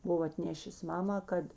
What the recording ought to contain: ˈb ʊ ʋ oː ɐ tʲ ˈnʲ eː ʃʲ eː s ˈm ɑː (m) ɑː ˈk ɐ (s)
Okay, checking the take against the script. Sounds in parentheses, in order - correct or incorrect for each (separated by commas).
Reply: correct, incorrect